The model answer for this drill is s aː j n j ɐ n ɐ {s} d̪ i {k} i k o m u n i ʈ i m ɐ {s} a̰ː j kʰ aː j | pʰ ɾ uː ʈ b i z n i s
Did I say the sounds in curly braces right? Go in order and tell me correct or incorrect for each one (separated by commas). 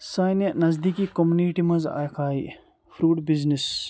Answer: incorrect, correct, incorrect